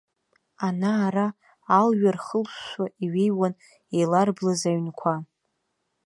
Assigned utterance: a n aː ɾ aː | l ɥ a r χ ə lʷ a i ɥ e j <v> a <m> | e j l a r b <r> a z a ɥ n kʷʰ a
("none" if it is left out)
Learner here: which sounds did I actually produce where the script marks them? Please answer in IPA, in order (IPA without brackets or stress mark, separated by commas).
w, n, l